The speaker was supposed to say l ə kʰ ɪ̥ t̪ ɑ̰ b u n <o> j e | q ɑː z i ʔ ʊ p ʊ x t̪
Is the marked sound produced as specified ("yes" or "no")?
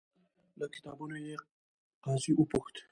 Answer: yes